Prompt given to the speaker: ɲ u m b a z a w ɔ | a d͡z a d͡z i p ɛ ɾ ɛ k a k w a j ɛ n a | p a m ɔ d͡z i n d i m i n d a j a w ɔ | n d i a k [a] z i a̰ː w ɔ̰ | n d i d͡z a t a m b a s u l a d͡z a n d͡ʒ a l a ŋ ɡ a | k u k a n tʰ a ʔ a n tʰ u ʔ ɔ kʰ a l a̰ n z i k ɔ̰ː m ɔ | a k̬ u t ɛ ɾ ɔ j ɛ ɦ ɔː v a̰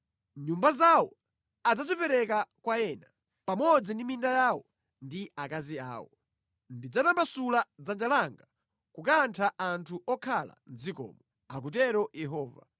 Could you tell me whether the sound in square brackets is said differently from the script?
no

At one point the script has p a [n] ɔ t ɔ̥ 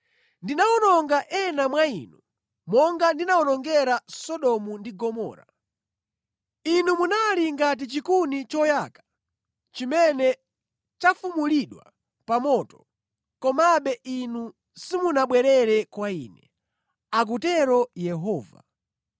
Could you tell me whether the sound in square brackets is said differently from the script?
yes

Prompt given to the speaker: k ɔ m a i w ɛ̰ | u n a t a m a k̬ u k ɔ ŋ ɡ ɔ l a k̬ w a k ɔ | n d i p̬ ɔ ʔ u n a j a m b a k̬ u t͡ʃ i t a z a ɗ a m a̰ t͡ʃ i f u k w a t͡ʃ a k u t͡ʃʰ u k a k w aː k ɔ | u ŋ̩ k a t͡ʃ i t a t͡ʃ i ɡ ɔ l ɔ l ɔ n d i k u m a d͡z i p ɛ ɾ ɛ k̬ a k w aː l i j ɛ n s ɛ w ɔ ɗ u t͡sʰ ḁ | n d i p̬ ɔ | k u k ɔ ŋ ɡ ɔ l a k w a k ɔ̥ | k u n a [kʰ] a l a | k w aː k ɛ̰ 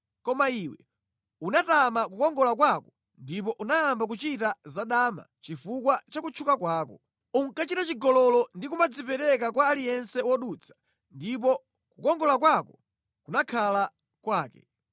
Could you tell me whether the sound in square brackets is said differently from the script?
no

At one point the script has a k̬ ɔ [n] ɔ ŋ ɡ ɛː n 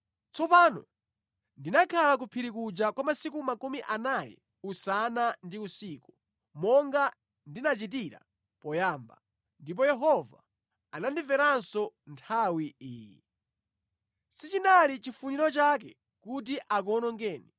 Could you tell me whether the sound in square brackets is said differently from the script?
no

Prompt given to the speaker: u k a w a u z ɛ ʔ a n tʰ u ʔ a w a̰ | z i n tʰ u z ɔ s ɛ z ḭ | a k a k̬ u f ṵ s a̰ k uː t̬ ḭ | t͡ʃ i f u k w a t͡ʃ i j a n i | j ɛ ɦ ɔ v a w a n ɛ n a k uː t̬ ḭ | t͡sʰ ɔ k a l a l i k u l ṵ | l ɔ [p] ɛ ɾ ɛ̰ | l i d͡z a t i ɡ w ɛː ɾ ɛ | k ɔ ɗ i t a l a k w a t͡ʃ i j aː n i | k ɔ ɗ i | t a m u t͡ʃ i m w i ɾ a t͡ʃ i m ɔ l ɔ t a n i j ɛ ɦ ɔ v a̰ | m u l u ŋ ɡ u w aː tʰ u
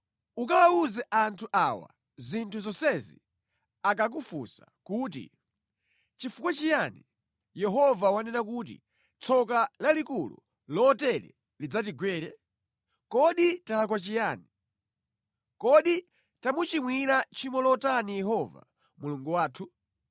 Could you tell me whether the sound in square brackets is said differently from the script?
yes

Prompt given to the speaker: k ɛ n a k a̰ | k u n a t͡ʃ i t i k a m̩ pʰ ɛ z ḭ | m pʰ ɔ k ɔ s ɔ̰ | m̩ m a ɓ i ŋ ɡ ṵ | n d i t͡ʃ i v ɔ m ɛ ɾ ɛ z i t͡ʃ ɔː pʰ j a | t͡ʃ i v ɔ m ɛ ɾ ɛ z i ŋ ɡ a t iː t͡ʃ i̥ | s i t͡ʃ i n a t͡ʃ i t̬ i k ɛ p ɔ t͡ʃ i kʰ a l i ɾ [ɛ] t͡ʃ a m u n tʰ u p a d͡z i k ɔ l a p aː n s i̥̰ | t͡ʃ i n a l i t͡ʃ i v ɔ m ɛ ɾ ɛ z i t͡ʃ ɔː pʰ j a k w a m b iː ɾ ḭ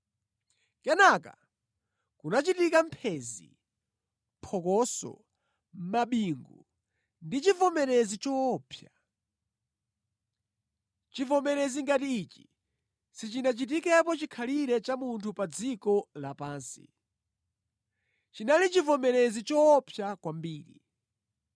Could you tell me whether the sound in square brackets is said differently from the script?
no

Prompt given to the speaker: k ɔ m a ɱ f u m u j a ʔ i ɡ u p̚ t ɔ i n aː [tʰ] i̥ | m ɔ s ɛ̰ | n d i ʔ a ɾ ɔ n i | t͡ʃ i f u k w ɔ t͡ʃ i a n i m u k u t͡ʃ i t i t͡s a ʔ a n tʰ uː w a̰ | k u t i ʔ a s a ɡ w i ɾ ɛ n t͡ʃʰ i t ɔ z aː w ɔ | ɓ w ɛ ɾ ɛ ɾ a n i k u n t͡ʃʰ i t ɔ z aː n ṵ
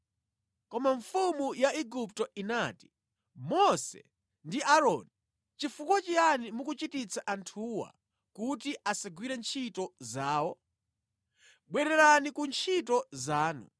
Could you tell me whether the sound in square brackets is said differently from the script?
yes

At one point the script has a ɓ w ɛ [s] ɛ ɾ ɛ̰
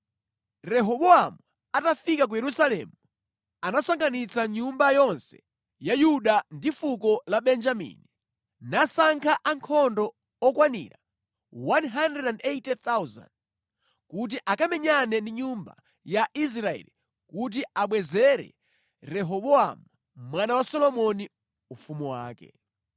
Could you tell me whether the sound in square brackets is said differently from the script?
yes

